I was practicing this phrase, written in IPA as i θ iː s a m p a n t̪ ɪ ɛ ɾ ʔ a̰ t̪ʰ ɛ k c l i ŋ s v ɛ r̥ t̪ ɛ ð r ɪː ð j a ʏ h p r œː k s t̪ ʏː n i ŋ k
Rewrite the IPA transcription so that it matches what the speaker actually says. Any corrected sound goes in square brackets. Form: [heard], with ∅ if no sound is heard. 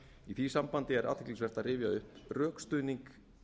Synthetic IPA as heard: i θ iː s a m p a n t̪ ɪ ɛ ɾ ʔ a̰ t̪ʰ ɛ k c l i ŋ s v ɛ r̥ t̪ [a] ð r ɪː [v] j a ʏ h p r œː k s t̪ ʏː n i ŋ k